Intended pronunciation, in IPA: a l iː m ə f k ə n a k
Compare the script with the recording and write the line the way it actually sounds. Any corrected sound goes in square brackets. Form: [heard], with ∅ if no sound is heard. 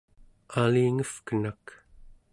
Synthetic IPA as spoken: a l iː [ŋ] ə f k ə n a k

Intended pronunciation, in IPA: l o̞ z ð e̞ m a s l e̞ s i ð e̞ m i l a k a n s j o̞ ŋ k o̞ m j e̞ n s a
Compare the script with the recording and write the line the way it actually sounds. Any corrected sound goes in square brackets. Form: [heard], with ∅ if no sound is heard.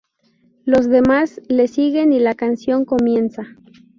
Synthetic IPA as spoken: l o̞ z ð e̞ m a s l e̞ s i [ɣ] e̞ [n] i l a k a n s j o̞ ŋ k o̞ m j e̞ n s a

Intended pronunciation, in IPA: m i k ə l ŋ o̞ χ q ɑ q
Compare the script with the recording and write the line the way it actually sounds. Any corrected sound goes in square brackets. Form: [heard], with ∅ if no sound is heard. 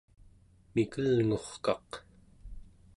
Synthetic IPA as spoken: m i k ə l ŋ o̞ χ [k] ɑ q

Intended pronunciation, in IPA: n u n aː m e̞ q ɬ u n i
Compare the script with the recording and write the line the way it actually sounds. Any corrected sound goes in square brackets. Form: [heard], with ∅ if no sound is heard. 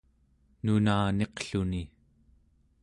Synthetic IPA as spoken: n u n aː [n] e̞ q ɬ u n i

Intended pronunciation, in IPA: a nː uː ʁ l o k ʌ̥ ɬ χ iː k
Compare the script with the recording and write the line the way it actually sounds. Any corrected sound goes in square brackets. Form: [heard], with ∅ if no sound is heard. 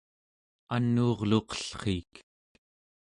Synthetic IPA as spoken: a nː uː ʁ l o [q] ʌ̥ ɬ χ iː k

